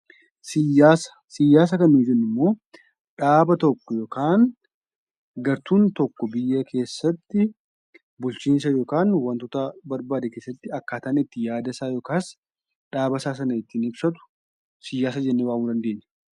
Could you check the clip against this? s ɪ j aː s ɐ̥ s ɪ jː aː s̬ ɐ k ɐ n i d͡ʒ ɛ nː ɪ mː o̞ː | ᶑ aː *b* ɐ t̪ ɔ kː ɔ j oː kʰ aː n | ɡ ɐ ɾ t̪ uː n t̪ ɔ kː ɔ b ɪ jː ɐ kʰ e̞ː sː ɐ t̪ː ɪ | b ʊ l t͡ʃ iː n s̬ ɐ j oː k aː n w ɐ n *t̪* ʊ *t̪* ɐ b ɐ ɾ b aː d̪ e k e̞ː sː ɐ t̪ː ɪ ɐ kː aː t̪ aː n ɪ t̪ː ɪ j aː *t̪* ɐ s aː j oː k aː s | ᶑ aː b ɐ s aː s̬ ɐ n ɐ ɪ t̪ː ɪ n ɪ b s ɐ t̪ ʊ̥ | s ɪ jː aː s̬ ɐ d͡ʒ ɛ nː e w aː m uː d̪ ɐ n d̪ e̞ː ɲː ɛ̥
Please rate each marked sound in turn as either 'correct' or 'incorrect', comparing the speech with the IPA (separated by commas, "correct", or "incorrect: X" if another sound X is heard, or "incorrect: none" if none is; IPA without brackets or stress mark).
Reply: correct, correct, correct, incorrect: d̪